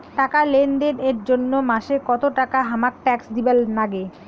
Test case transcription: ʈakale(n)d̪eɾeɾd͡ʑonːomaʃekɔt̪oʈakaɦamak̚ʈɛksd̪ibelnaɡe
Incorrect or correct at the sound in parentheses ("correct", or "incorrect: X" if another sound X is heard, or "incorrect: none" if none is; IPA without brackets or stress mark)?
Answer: correct